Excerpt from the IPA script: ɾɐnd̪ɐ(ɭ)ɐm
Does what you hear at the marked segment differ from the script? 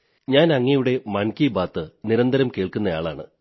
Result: yes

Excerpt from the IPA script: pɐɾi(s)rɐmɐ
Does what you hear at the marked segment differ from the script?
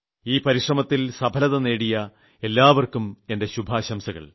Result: yes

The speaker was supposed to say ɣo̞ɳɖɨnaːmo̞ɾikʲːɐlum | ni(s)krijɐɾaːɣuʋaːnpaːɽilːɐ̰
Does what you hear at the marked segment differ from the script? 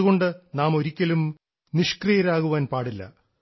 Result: yes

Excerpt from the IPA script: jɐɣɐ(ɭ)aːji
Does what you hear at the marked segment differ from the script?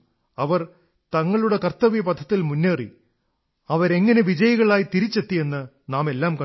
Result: no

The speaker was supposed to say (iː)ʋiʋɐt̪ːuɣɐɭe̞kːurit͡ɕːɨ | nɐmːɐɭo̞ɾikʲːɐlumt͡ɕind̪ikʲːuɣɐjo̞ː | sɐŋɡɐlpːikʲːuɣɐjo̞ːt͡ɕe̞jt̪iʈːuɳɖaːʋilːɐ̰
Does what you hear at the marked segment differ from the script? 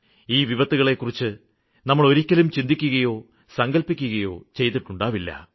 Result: no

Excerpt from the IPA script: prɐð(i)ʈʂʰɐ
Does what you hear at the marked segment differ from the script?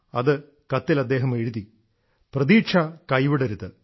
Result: yes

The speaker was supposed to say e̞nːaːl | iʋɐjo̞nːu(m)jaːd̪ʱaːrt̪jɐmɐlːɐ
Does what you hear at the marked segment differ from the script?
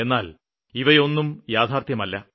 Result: no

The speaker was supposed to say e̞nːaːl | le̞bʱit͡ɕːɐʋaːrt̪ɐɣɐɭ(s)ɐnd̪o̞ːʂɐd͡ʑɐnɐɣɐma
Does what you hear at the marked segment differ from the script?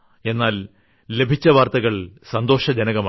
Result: no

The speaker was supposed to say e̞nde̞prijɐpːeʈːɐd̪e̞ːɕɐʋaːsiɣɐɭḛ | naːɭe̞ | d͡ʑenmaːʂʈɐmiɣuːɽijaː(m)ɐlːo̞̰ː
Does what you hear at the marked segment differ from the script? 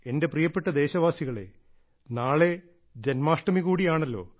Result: yes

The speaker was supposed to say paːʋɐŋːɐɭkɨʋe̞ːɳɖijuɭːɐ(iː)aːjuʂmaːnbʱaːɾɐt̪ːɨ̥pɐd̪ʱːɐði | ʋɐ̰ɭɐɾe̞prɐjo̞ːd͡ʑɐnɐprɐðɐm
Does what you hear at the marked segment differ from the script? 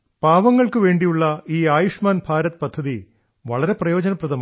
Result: no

